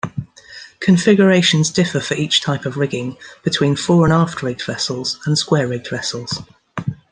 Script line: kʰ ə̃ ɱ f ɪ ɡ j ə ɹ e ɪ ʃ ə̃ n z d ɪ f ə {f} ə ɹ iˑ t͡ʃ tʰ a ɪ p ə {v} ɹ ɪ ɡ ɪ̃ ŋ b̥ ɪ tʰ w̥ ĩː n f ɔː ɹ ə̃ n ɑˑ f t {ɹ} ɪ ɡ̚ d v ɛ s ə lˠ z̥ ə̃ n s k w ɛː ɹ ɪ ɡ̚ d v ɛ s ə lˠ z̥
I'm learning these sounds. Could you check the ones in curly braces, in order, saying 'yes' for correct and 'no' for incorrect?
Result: yes, yes, yes

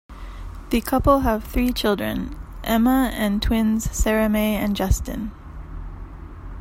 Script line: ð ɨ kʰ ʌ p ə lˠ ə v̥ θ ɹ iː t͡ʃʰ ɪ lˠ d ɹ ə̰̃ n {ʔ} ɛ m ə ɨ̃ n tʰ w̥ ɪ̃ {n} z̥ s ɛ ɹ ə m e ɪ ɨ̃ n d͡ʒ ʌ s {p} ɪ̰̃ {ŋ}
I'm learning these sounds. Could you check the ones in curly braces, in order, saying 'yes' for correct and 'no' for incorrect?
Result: yes, yes, no, no

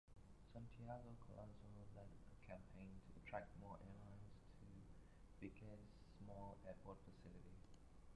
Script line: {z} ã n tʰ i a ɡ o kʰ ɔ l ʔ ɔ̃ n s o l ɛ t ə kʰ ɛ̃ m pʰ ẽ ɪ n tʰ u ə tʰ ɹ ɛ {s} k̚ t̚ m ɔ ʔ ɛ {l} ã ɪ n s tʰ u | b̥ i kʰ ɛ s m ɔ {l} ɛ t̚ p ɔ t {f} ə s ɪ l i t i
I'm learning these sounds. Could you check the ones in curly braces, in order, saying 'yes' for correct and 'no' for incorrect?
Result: no, no, yes, yes, yes

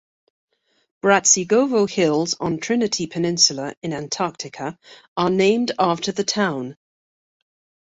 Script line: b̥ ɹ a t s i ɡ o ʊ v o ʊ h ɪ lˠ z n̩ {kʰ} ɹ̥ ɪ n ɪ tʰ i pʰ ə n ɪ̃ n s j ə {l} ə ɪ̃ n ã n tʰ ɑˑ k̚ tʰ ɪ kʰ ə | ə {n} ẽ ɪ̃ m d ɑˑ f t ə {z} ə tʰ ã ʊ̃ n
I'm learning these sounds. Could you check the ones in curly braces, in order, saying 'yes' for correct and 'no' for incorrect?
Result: no, yes, yes, no

